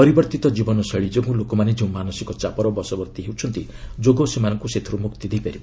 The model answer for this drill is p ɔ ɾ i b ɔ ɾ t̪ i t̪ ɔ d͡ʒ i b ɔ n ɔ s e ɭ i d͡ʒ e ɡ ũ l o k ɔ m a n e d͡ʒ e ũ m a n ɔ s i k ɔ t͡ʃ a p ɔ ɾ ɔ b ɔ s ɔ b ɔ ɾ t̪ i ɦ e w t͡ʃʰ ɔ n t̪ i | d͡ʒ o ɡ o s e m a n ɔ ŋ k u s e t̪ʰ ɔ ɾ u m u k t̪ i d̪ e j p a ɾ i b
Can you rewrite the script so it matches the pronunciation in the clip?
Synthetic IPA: p ɔ ɾ i b ɔ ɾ t̪ i t̪ ɔ d͡ʒ i b ɔ n ɔ s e ɭ i d͡ʒ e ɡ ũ l o k ɔ m a n e d͡ʒ e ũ m a n ɔ s i k ɔ t͡ʃ a p ɔ ɾ ɔ b ɔ s ɔ b ɔ ɾ t̪ i ɦ e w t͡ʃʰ ɔ n t̪ i | d͡ʒ o ɡ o s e m a n ɔ ŋ k u s e t̪ʰ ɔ ɾ u m u k t̪ i d̪ e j p a ɾ i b